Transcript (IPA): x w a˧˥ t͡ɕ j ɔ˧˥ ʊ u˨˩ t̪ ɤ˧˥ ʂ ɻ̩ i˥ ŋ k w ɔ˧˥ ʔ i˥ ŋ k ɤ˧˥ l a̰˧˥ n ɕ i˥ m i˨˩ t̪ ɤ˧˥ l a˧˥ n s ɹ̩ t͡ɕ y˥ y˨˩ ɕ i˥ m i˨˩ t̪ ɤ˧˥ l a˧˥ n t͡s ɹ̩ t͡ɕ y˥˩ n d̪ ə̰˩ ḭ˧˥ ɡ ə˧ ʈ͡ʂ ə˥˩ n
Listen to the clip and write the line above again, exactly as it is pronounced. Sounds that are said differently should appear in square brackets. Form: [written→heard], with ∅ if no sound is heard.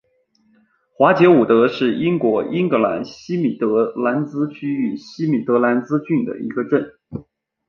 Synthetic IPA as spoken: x w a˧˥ t͡ɕ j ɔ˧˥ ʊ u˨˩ t̪ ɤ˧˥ ʂ ɻ̩ i˥ ŋ k w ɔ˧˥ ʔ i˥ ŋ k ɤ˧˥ l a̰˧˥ n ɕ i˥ m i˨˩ t̪ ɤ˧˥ l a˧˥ n [s→t͡s] ɹ̩ [t͡ɕ→t͡ɕʰ] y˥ y˨˩ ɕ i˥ m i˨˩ t̪ ɤ˧˥ l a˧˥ n t͡s ɹ̩ t͡ɕ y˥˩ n d̪ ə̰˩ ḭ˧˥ ɡ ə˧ ʈ͡ʂ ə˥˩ n